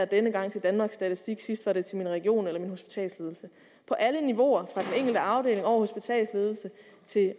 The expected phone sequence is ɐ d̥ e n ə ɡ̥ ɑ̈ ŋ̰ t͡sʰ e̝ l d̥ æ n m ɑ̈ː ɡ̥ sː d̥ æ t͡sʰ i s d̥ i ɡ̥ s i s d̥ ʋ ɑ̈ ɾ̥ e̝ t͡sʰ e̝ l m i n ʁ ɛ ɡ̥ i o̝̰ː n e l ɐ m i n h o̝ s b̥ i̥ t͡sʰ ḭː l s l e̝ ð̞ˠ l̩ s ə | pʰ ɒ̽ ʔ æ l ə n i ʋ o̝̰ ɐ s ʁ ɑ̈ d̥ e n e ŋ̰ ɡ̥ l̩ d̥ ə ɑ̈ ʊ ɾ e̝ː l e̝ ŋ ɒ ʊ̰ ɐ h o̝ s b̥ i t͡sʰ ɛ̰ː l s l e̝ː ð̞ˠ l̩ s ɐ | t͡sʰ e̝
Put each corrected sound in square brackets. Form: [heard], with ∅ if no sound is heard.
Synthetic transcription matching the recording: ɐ d̥ e n ə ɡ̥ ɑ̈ ŋ̰ t͡sʰ e̝ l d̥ æ n m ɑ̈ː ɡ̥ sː d̥ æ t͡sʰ i s d̥ i ɡ̥ s i s d̥ ʋ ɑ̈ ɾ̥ e̝ t͡sʰ e̝ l m i n ʁ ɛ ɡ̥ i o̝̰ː n e l ɐ m i n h o̝ s b̥ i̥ t͡sʰ [ɛ̰ː] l s l e̝ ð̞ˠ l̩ s ə | pʰ ɒ̽ ʔ æ l ə n i ʋ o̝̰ ɐ [f] ʁ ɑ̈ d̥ e n e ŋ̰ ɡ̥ l̩ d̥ ə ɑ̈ ʊ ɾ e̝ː l e̝ ŋ ɒ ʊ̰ ɐ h o̝ s b̥ i t͡sʰ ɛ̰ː l s l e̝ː ð̞ˠ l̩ s [ə] | t͡sʰ e̝